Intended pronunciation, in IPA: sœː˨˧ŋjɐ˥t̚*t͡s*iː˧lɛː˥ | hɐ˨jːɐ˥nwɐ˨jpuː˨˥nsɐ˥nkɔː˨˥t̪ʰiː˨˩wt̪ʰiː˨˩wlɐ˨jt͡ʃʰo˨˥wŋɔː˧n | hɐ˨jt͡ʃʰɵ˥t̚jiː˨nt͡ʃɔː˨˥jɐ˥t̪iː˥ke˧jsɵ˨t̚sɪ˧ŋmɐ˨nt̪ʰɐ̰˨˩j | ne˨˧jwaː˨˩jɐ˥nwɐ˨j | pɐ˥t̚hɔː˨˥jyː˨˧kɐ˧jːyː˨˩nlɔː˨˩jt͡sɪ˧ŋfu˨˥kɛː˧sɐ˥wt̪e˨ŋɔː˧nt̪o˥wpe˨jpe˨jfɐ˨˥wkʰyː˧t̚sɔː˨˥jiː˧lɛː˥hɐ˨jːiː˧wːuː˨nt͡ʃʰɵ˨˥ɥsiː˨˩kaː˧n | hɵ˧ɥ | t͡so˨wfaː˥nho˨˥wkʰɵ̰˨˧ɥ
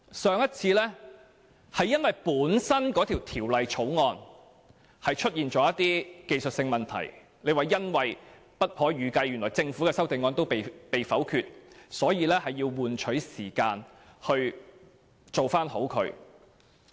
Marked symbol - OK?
no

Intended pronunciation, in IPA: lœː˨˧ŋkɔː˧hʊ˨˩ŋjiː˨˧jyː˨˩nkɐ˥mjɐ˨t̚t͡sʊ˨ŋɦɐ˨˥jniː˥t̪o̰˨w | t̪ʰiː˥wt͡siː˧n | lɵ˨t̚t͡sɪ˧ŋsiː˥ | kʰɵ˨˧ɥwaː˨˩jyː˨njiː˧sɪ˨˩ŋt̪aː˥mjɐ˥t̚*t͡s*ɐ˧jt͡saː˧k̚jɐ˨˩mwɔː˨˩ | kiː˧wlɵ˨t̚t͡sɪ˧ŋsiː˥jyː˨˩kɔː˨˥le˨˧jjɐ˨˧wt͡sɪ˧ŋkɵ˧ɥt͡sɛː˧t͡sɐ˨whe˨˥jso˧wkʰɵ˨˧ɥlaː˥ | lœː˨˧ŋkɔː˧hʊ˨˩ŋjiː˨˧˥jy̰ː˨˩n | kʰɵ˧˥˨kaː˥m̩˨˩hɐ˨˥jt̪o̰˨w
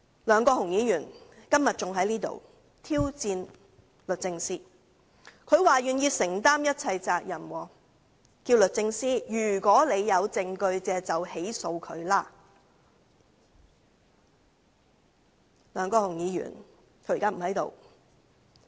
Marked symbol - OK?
no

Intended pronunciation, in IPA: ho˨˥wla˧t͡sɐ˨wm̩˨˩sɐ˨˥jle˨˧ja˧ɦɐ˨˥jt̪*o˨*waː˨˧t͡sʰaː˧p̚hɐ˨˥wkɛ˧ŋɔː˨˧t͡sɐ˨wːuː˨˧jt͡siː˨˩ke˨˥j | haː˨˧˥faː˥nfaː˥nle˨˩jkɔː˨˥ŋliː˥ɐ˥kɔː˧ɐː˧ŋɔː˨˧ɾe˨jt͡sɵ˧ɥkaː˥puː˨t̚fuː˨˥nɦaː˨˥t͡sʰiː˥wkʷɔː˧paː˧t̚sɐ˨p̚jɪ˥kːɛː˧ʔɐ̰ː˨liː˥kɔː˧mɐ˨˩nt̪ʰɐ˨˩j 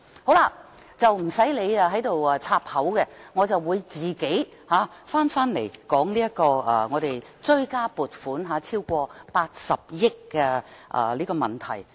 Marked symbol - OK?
yes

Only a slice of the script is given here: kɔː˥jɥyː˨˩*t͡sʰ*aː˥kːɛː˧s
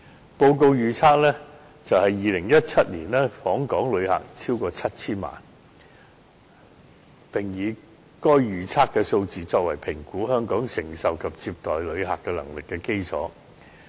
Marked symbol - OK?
yes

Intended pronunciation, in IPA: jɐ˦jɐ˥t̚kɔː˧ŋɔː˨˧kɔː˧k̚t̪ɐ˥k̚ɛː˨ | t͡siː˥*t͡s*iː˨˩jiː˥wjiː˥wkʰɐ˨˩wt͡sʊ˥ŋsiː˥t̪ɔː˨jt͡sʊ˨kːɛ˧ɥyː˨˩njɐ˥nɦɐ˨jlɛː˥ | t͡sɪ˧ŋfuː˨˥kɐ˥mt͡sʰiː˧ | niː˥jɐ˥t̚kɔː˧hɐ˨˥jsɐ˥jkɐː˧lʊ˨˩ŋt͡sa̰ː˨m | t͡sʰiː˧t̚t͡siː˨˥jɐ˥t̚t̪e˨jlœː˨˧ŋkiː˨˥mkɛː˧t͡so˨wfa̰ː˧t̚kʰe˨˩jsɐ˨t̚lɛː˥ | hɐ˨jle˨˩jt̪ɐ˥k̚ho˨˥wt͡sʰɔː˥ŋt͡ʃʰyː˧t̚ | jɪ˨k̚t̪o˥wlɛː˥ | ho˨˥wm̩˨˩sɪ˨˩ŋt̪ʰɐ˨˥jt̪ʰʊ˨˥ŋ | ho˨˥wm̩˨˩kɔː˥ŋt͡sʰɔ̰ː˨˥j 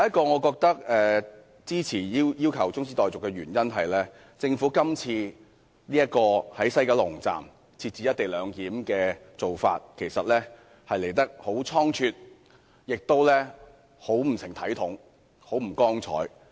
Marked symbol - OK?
no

